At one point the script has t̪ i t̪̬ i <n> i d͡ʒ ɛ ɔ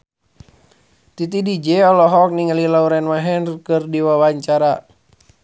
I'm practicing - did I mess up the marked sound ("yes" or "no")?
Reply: yes